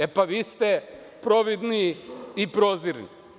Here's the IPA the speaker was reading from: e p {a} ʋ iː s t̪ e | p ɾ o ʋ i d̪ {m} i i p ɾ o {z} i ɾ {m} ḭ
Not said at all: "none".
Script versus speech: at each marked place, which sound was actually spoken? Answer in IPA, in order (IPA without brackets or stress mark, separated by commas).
a, n, z, n